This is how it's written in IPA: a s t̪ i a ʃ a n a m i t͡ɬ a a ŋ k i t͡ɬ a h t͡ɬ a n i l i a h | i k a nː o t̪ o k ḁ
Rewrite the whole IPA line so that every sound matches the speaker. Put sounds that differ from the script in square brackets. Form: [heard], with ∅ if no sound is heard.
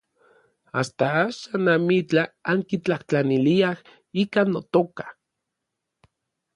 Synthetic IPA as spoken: a s t̪ [a] a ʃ a n a m i t͡ɬ a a ŋ k i t͡ɬ a h t͡ɬ a n i l i a h | i k a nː o t̪ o k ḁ

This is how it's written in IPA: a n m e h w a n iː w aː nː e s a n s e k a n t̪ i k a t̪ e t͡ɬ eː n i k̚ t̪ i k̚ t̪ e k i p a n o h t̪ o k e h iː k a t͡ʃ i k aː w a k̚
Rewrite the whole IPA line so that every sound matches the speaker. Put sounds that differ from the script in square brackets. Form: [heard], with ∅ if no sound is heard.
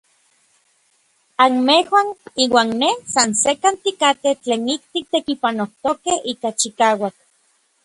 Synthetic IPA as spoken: a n m e h w a n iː w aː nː e s a n s e k a n t̪ i k a t̪ e t͡ɬ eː n i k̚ t̪ i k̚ t̪ e k i p a n o h t̪ o k e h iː k a t͡ʃ i k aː w a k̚

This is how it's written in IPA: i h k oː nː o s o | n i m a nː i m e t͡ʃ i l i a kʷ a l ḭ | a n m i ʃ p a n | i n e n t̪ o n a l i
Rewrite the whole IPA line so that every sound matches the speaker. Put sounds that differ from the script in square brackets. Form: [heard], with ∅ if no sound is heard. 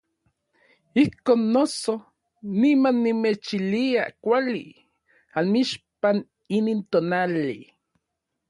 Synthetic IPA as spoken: i h k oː nː o s o | n i m a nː i m e t͡ʃ i l i a kʷ a l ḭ | a n m i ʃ p a n | i n [i] n t̪ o n a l i

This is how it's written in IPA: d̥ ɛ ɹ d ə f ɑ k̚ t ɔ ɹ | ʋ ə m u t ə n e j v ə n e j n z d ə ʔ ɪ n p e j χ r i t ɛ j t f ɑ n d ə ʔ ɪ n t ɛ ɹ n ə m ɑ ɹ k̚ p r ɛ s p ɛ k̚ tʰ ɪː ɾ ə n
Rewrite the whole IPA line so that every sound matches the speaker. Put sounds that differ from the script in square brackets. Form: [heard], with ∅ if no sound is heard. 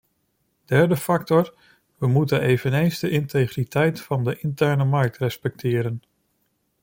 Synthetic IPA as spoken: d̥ ɛ ɹ d ə f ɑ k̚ t ɔ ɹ | ʋ ə m u t ə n e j v ə n e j n z d ə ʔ ɪ n [t] e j χ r i t ɛ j t f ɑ n d ə ʔ ɪ n t ɛ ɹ n ə m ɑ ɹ k̚ [t] r ɛ s p ɛ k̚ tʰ ɪː ɾ ə n

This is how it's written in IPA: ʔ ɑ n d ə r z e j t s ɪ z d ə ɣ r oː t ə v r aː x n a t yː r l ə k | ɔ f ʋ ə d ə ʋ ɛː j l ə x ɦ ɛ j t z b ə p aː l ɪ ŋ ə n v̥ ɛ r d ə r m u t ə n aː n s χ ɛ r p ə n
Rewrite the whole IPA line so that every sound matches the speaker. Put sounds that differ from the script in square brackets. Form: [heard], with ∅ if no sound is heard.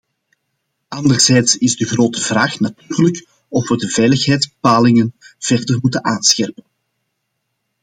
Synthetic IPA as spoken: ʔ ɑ n d ə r z [ɛ] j t s ɪ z d ə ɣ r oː t ə v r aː x n a t yː r l ə k | ɔ f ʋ ə d ə [v] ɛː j l ə x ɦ ɛ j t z b ə p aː l ɪ ŋ ə n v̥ ɛ r d ə r m u t ə n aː n s [x] ɛ r p ə n

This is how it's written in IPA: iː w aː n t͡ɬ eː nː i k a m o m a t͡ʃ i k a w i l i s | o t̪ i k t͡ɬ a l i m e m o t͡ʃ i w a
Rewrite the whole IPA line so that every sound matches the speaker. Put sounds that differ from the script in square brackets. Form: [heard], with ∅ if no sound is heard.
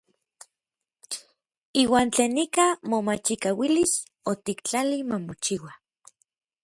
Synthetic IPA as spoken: iː w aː n t͡ɬ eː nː i k a m o m a t͡ʃ i k a w i l i s | o t̪ i k t͡ɬ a l i m [a] m o t͡ʃ i w a

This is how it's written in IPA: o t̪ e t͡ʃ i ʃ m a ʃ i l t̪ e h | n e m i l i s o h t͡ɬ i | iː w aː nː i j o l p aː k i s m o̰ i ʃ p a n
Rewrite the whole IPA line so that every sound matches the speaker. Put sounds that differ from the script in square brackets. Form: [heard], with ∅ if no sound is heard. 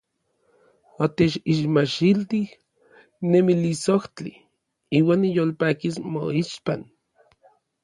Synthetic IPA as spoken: o t̪ e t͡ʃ i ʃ m a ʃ i l t̪ [i] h | n e m i l i s o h t͡ɬ i | iː w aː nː i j o l p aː k i s m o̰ i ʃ p a n

